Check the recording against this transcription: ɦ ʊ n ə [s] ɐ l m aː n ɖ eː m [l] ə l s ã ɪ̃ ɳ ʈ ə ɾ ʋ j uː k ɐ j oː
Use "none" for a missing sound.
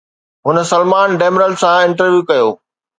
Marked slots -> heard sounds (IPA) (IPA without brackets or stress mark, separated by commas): s, ɾ